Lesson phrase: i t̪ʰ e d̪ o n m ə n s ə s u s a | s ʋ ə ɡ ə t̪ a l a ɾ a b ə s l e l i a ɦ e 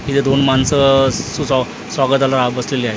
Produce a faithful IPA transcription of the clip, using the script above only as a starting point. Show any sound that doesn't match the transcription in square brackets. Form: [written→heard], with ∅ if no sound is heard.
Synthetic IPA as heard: i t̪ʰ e d̪ o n m [ə→a] n s ə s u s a | s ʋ [ə→a] ɡ ə t̪ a l a ɾ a b ə s l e l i a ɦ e